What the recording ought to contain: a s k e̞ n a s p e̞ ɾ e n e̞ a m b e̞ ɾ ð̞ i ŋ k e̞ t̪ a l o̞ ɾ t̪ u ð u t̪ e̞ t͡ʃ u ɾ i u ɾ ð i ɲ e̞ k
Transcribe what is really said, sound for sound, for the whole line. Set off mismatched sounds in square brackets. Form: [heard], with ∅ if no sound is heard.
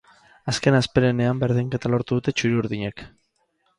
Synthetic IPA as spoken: a s k e̞ n a s p e̞ ɾ e n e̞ a m b e̞ ɾ ð̞ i ŋ k e̞ t̪ a l o̞ ɾ t̪ u ð u t̪ e̞ t͡ʃ u ɾ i u ɾ ð i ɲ e̞ k